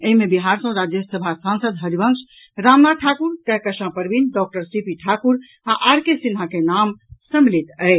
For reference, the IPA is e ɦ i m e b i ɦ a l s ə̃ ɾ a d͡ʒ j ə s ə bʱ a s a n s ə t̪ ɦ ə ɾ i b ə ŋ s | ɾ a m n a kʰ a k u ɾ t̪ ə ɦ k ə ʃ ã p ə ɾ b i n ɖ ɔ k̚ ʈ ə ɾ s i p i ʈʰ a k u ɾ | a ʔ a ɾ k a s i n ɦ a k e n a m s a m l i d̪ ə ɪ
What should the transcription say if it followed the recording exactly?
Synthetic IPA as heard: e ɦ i m e b i ɦ a ɾ s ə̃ ɾ a d͡ʒ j ə s ə bʱ a s a n s ə d̪ ɦ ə ɾ i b ə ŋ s | ɾ a m n a ʈʰ a k u ɾ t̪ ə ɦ k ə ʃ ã p ə ɾ b i n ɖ ɔ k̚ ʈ ə ɾ s i p i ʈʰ a k u ɾ | a ʔ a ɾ k e s i n ɦ a k e n a m s ə m l i t̪ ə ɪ